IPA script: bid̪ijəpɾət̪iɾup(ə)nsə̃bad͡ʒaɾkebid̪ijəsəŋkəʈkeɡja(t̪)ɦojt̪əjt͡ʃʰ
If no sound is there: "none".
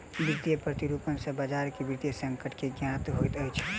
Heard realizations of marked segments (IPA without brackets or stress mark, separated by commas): ə, t̪